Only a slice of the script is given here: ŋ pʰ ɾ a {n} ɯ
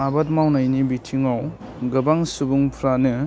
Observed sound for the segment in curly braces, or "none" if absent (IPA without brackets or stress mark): n